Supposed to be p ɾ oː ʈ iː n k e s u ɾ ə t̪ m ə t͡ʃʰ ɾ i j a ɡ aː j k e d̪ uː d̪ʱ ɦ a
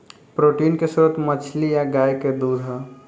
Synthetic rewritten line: p ɾ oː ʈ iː n k e s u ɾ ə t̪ m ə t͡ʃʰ l i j a ɡ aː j k e d̪ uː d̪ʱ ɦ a